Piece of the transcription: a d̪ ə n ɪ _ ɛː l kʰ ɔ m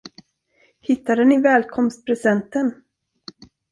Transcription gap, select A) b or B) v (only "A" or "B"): B